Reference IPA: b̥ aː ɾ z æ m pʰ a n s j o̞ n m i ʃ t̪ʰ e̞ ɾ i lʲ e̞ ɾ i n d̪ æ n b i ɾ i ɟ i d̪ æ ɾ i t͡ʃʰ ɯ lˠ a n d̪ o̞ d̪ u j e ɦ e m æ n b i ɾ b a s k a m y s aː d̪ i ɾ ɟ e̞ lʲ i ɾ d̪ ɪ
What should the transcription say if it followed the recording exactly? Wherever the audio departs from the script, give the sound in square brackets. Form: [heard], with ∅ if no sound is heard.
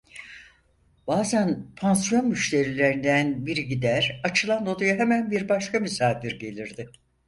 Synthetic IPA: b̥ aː [∅] z æ [n] pʰ a n s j o̞ n m [y] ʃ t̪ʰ e̞ ɾ i lʲ e̞ ɾ i n d̪ æ n b i ɾ i ɟ i d̪ æ ɾ [a] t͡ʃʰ ɯ lˠ a n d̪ o̞ d̪ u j [a] ɦ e m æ n b i ɾ b a [ʃ] k a m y s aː d̪ i ɾ ɟ e̞ lʲ i ɾ d̪ ɪ